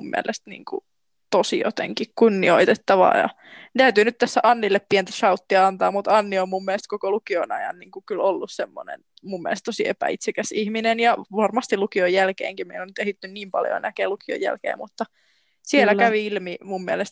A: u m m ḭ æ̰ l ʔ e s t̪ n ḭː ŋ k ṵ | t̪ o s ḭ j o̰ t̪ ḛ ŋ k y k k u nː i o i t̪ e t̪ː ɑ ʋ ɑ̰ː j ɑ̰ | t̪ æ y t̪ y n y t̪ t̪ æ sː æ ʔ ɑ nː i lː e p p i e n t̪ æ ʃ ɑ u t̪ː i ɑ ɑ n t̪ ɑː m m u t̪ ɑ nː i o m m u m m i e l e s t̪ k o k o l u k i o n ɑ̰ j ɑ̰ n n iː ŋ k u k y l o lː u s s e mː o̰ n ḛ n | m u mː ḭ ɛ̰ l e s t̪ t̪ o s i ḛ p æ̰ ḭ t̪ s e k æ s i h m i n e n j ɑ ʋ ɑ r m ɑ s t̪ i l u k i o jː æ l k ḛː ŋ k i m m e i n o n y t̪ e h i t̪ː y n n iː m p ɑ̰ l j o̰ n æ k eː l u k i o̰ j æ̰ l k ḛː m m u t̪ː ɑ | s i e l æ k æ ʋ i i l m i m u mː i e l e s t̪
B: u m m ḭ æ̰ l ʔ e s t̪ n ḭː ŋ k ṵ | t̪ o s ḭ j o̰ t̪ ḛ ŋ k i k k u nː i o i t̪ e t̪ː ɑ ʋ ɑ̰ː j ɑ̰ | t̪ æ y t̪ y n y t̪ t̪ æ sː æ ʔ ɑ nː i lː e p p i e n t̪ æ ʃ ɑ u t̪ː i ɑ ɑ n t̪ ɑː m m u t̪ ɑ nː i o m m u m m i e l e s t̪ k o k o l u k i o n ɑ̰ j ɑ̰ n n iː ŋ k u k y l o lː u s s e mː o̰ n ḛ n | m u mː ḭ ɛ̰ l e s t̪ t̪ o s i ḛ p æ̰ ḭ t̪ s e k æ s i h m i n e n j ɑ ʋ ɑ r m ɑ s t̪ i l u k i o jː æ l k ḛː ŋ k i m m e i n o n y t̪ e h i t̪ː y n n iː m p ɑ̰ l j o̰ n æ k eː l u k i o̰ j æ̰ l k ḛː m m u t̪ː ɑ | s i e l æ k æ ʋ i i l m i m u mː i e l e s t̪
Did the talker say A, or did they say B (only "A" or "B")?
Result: B